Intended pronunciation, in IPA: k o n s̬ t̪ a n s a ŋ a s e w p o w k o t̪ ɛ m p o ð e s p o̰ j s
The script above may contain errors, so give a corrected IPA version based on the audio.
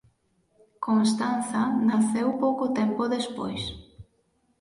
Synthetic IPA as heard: k o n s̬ t̪ a n θ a n a θ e w p o w k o t̪ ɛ m p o ð e s p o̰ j s